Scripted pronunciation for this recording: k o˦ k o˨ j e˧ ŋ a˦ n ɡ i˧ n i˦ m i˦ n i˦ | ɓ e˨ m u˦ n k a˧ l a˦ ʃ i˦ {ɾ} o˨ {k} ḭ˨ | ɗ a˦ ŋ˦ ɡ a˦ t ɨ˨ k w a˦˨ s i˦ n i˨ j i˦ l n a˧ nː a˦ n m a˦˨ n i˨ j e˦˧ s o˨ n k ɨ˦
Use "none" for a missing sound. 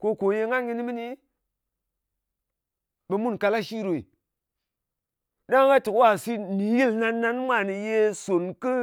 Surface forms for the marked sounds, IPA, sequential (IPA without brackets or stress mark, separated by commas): ɾ, none